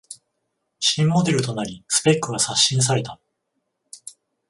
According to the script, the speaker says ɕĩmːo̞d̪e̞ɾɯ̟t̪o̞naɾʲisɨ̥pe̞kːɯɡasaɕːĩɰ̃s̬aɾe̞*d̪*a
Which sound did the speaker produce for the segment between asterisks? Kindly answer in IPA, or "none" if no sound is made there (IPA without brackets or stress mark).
t̪